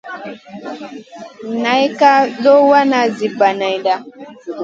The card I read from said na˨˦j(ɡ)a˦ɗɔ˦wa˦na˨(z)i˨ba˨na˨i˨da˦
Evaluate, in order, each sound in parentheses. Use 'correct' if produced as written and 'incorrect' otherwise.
incorrect: k, correct

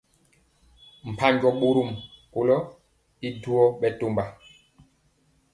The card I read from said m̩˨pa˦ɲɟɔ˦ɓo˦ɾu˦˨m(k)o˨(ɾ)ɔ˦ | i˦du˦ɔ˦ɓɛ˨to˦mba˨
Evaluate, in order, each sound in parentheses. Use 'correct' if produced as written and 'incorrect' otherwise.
correct, incorrect: l

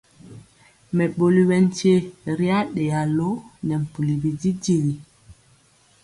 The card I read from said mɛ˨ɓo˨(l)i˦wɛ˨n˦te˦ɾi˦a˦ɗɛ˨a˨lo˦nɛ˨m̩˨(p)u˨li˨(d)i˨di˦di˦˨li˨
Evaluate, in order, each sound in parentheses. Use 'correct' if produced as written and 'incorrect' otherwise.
correct, correct, incorrect: b

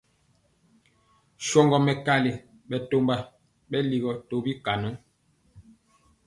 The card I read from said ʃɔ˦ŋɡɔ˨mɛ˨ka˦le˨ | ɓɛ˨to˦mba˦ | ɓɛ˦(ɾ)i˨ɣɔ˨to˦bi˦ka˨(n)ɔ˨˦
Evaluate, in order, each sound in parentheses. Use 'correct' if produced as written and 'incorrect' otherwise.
incorrect: l, correct

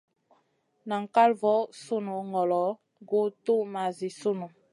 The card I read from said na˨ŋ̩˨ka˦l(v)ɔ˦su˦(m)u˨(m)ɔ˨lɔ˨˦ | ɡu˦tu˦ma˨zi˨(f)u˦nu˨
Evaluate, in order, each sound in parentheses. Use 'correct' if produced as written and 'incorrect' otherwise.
correct, incorrect: n, incorrect: ŋ, incorrect: s

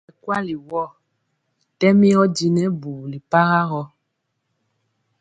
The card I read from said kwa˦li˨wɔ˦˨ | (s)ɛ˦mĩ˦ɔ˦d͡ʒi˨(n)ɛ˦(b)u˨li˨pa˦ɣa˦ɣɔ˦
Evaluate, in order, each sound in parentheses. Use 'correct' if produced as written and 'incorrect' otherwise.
incorrect: t, correct, correct

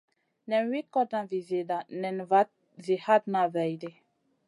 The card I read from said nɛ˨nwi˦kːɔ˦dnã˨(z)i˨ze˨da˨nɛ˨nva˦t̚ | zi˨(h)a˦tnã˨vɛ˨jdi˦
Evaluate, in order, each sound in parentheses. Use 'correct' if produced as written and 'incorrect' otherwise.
incorrect: v, correct

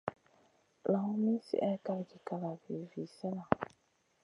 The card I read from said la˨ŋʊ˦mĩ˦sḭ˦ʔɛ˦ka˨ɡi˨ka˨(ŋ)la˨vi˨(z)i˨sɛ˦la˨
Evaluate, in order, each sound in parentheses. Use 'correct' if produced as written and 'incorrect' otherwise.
incorrect: none, incorrect: v

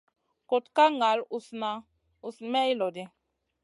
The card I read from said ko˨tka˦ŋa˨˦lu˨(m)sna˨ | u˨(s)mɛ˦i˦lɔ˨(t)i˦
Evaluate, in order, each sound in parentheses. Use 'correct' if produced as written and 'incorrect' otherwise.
incorrect: none, correct, incorrect: d

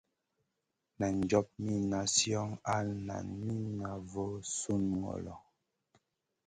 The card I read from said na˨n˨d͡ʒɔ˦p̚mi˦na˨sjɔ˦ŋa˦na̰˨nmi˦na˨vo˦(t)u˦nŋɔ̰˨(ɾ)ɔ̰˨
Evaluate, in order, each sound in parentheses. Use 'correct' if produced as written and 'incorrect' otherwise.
incorrect: s, incorrect: l

